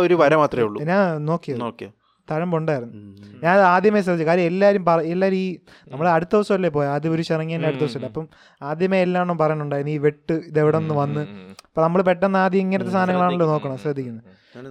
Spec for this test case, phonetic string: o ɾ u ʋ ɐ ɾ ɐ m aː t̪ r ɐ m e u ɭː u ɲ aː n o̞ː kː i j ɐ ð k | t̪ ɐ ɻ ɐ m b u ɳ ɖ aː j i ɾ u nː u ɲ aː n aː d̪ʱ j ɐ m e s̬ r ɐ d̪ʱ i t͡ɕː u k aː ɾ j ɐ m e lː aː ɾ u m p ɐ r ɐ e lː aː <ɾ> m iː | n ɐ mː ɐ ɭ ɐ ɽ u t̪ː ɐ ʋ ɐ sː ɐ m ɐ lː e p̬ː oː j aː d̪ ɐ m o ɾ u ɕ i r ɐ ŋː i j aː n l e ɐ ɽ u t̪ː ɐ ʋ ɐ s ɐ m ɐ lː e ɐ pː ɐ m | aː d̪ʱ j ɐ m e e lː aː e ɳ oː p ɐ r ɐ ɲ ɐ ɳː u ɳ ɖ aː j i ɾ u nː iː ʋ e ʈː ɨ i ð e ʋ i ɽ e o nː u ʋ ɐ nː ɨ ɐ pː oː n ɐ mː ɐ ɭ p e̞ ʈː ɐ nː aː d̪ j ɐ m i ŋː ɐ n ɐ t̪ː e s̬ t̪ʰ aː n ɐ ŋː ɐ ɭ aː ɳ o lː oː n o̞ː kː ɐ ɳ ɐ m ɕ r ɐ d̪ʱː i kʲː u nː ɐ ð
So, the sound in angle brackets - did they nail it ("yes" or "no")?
yes